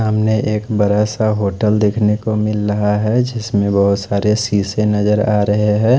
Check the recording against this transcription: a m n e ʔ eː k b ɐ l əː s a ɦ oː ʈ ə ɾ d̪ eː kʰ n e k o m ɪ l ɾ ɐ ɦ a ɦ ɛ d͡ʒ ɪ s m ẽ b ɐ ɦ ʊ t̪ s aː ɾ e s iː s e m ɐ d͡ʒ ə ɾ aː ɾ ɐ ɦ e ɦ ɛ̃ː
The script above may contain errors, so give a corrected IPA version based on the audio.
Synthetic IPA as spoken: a m n e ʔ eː k b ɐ ɾ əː s a ɦ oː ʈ ə l d̪ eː kʰ n e k o m ɪ l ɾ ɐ ɦ a ɦ ɛ d͡ʒ ɪ s m ẽ b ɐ ɦ ʊ t̪ s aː ɾ e s iː s e n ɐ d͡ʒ ə ɾ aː ɾ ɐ ɦ e ɦ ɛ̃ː

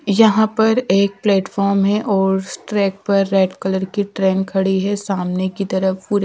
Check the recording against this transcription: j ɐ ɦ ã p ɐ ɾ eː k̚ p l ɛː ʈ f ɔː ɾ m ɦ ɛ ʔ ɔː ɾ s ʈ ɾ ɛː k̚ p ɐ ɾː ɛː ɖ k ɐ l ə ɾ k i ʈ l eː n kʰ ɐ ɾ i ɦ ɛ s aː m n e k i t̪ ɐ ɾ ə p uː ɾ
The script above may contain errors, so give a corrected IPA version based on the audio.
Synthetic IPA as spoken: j ɐ ɦ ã p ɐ ɾ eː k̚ p l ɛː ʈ f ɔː ɾ m ɦ ɛ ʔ ɔː ɾ s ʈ ɾ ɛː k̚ p ɐ ɾː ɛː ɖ k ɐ l ə ɾ k i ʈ ɾ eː n kʰ ɐ ɽ i ɦ ɛ s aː m n e k i t̪ ɐ ɾ ə p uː ɾ

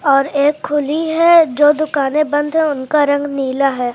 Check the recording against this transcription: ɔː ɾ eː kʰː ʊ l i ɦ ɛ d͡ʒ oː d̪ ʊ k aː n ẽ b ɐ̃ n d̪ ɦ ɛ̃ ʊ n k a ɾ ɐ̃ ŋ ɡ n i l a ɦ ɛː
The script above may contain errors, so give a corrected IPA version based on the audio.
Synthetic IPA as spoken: ɔː ɾ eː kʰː ʊ l i ɦ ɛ d͡ʒ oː d̪ ʊ k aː n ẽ b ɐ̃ n d̪ ɦ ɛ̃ ʊ n k a ɾ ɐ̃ ŋ ɡ n iː l a ɦ ɛː

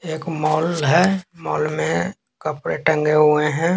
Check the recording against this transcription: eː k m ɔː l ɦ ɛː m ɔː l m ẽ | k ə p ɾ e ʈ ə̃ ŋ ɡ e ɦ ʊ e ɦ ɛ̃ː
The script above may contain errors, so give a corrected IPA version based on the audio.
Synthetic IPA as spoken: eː k m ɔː l ɦ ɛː m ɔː l m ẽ | k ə p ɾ e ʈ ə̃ ŋ ɡ e ɦ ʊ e ɦ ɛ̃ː

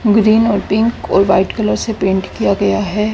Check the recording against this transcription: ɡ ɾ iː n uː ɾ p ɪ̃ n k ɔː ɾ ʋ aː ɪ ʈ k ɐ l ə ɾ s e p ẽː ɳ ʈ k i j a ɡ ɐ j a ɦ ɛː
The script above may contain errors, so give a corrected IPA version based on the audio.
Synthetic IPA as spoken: ɡ ɾ iː n ɔː ɾ p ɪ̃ ŋ k ɔː ɾ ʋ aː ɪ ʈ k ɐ l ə ɾ s e p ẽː ɳ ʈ k i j a ɡ ɐ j a ɦ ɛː

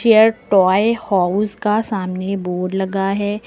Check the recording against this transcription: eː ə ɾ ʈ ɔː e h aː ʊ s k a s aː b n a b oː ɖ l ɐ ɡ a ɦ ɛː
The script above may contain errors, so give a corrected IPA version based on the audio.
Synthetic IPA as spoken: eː ə ɾ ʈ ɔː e h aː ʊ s k a s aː m n e b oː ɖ l ɐ ɡ a ɦ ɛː

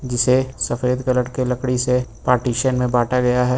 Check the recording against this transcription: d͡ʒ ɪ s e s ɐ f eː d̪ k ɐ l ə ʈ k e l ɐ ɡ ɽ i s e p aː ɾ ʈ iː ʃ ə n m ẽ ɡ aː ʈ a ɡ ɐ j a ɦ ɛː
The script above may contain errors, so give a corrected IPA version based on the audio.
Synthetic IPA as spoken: d͡ʒ ɪ s e s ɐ f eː d̪ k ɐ l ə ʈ k e l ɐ k ɽ i s e p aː ɾ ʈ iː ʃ ə n m ẽ b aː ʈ a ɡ ɐ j a ɦ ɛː

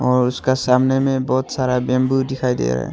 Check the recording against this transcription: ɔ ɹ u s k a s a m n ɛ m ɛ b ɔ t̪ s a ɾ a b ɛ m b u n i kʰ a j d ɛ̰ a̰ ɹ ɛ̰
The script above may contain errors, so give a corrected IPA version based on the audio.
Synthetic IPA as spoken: ɔ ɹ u s k a s a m n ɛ m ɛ b ɔ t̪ s a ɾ a b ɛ m b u d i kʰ a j d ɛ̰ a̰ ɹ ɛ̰

